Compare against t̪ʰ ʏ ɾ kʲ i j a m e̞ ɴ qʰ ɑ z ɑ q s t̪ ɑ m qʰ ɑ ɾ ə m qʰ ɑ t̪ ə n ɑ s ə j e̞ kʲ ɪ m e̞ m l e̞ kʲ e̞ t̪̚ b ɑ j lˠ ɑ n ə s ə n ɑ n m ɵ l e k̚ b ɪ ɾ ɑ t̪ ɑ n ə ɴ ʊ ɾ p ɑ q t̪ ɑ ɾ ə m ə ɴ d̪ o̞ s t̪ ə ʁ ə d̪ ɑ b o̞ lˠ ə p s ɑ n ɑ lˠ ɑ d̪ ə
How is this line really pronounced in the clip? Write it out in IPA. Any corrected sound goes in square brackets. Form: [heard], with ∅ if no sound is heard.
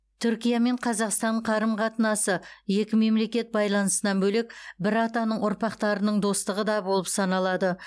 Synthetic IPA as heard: t̪ʰ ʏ ɾ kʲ i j a m e̞ ɴ qʰ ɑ z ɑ q s t̪ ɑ [ɴ] qʰ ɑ ɾ ə m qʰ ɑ t̪ ə n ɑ s ə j e̞ kʲ ɪ m e̞ m l e̞ kʲ e̞ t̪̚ b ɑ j lˠ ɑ n ə s ə n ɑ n [b] ɵ l e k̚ b ɪ ɾ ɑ t̪ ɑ n ə ɴ ʊ ɾ p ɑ q t̪ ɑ ɾ ə [n] ə ɴ d̪ o̞ s t̪ ə ʁ ə d̪ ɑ b o̞ lˠ ə p s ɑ n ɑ lˠ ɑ d̪ ə

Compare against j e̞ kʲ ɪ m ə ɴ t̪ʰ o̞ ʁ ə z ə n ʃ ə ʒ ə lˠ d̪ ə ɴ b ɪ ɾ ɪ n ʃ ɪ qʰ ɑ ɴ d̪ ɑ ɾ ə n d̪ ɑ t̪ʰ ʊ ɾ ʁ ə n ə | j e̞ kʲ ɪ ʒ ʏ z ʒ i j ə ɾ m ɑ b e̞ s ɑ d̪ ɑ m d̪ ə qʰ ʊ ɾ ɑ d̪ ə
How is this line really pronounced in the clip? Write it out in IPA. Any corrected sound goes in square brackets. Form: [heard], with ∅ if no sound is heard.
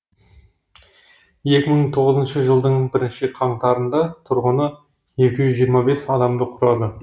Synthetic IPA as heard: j e̞ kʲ ɪ m ə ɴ t̪ʰ o̞ ʁ ə z ə n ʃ ə ʒ ə lˠ d̪ ə ɴ b ɪ ɾ ɪ n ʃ ɪ qʰ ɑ ɴ [t̪] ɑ ɾ ə n d̪ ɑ t̪ʰ ʊ ɾ ʁ ə n ə | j e̞ kʲ ɪ ʒ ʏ z ʒ i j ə ɾ m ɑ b e̞ s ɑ d̪ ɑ m d̪ ə qʰ ʊ ɾ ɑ d̪ ə

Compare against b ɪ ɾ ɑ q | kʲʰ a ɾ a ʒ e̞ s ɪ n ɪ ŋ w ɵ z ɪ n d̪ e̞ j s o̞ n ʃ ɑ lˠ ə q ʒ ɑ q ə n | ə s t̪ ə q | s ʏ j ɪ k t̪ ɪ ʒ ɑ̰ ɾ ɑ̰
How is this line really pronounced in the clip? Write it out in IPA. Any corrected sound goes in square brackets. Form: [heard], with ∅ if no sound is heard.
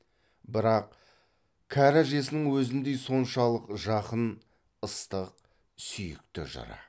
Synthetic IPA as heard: b ɪ ɾ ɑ q | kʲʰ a ɾ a ʒ e̞ s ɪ n ɪ ŋ w ɵ z ɪ n d̪ e̞ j s o̞ n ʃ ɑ lˠ ə q ʒ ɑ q ə n | ə s t̪ ə q | s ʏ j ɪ k t̪ ɪ ʒ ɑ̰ ɾ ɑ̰

